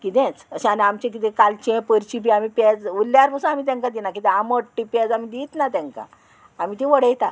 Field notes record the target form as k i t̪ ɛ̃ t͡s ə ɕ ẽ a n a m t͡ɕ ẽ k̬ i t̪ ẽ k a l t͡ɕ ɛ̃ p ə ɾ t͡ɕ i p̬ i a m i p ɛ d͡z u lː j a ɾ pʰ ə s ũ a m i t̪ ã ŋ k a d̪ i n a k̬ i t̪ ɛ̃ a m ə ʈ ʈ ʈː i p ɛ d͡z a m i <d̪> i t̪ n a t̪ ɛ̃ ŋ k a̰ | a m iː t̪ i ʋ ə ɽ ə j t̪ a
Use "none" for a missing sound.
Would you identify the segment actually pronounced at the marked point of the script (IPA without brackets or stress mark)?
d̪